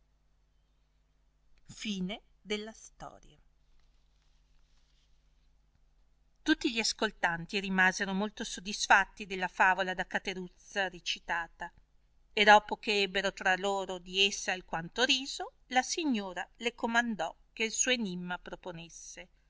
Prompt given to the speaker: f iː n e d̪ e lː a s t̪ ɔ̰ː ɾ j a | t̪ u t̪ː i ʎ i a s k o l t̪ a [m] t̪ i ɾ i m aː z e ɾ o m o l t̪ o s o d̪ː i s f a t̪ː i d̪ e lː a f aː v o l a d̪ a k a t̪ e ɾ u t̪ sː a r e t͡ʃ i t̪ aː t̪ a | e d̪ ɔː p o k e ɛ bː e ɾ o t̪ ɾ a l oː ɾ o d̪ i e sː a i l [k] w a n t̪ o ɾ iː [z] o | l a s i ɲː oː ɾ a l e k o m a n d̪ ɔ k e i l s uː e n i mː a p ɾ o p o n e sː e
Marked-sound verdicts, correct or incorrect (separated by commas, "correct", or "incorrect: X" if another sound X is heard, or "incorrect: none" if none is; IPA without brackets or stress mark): incorrect: n, correct, correct